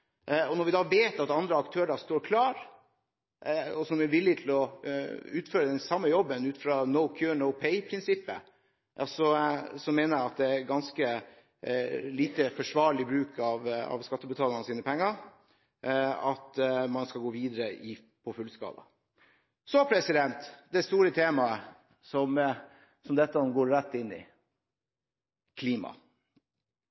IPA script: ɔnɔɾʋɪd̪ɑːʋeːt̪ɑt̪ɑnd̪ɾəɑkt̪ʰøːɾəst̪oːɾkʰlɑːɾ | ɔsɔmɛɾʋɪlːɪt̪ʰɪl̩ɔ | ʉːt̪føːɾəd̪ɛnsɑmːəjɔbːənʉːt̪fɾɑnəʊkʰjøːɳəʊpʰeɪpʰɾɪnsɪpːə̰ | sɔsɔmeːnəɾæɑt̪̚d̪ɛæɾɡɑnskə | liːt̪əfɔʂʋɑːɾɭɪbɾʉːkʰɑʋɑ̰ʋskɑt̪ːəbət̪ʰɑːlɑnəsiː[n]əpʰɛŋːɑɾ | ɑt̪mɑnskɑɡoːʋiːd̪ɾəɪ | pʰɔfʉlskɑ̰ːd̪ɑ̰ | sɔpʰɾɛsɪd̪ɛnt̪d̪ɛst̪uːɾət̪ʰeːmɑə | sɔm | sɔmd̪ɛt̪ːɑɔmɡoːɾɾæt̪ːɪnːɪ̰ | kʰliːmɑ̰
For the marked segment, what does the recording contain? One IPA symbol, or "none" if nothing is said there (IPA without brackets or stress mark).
n